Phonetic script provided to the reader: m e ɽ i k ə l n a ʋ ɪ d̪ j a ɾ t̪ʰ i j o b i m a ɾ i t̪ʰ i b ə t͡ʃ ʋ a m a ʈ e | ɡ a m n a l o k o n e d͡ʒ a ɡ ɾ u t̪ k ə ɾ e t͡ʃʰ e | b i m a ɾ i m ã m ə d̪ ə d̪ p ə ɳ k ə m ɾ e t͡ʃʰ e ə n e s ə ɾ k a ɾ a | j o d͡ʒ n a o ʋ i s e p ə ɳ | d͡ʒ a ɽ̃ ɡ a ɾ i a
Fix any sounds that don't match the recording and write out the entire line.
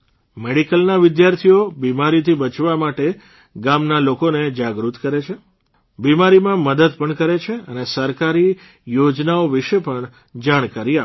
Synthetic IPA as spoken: m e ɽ i k ə l n a ʋ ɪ d̪ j a ɾ t̪ʰ i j o b i m a ɾ i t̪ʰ i b ə t͡ʃ ʋ a m a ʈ e | ɡ a m n a l o k o n e d͡ʒ a ɡ ɾ u t̪ k ə ɾ e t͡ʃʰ e | b i m a ɾ i m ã m ə d̪ ə d̪ p ə ɳ k ə ɾ e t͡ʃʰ e ə n e s ə ɾ k a ɾ i | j o d͡ʒ n a o ʋ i ʃ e p ə ɳ | d͡ʒ a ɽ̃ k a ɾ i a